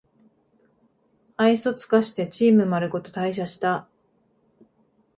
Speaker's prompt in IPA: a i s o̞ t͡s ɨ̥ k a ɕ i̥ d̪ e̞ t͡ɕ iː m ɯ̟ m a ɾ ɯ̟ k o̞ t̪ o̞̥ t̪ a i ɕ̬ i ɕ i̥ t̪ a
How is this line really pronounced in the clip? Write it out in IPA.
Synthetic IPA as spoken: a i s o̞ t͡s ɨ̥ k a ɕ i̥ t̪ e̞ t͡ɕ iː m ɯ̟ m a ɾ ɯ̟ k o̞ t̪ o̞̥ t̪ a i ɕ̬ a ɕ i̥ t̪ a